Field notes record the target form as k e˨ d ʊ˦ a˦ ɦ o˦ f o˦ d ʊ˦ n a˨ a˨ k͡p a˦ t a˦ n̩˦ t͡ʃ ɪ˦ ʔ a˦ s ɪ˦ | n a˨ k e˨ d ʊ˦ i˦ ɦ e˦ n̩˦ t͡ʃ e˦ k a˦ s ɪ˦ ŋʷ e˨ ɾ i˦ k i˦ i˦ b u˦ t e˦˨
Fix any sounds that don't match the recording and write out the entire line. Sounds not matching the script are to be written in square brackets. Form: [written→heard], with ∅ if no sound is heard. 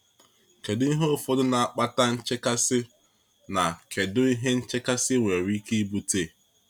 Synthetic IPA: k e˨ d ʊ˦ [a˦→i˦] ɦ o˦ f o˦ d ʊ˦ n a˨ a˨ k͡p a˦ t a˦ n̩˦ t͡ʃ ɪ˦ [ʔ→k] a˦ s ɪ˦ | n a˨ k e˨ d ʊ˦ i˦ ɦ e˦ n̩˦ t͡ʃ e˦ k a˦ s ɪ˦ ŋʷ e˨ ɾ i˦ k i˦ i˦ b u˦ t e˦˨